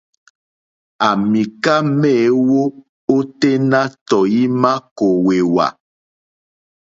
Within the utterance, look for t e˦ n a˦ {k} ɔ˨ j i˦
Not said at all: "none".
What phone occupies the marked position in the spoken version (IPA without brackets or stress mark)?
t